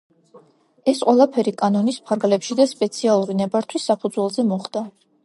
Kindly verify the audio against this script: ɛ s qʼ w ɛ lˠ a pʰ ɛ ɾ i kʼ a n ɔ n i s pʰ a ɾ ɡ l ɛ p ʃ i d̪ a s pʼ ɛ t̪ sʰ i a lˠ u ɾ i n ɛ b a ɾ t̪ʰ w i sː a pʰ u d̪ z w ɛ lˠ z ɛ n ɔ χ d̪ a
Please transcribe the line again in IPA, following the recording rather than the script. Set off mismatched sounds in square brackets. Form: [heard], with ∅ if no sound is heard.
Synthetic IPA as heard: ɛ s qʼ w ɛ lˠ a pʰ ɛ ɾ i kʼ a n ɔ n i s pʰ a ɾ ɡ l ɛ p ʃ i d̪ a s pʼ ɛ t̪ sʰ i a lˠ u ɾ i n ɛ b a ɾ t̪ʰ w i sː a pʰ u d̪ z w ɛ lˠ z ɛ [m] ɔ χ d̪ a